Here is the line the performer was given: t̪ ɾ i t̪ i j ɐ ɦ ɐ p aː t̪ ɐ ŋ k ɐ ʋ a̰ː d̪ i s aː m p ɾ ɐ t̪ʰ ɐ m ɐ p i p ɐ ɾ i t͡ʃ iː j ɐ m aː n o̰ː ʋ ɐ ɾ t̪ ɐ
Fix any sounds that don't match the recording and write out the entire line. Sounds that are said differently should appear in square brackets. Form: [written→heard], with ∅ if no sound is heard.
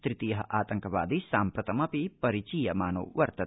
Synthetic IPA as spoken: t̪ ɾ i t̪ i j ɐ ɦ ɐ [p→ʔ] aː t̪ ɐ ŋ k ɐ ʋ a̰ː d̪ i s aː m p ɾ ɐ [t̪ʰ→t̪] ɐ m ɐ p i p ɐ ɾ i t͡ʃ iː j ɐ m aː n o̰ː ʋ ɐ ɾ t̪ ɐ

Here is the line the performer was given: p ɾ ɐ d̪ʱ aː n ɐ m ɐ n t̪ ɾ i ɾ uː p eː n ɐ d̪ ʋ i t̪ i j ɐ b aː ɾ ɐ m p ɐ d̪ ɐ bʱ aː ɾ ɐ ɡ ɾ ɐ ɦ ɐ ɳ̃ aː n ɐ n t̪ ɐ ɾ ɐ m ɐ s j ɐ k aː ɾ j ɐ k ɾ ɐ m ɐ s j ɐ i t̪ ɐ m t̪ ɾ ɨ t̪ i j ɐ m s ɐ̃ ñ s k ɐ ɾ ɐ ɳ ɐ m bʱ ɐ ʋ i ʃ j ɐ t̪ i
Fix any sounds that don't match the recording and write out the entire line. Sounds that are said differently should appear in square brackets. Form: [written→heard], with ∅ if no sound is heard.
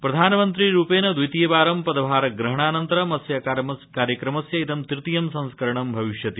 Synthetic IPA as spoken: p ɾ ɐ d̪ʱ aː n ɐ m ɐ n t̪ ɾ i ɾ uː p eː n ɐ d̪ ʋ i t̪ i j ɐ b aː ɾ ɐ m p ɐ d̪ ɐ bʱ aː ɾ ɐ ɡ ɾ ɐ ɦ ɐ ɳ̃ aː n ɐ n t̪ ɐ ɾ ɐ m ɐ s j ɐ k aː ɾ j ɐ k ɾ ɐ m ɐ s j ɐ i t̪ ɐ m t̪ ɾ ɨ t̪ i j ɐ m s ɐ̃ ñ s k ɐ ɾ ɐ ɳ ɐ m bʱ ɐ ʋ i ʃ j ɐ t̪ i

